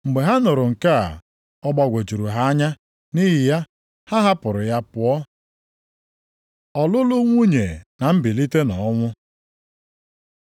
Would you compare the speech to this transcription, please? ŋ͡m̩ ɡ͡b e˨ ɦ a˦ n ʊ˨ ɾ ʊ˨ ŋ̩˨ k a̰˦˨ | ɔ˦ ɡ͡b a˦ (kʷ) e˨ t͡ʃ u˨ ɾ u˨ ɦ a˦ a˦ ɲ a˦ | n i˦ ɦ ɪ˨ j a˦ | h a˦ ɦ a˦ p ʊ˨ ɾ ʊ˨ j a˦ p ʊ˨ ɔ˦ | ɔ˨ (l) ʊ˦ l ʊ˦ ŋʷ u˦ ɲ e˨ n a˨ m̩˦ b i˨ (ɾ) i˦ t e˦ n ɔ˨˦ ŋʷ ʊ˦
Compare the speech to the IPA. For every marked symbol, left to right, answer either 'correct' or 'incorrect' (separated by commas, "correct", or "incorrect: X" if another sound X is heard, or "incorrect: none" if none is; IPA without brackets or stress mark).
incorrect: ɡʷ, correct, incorrect: l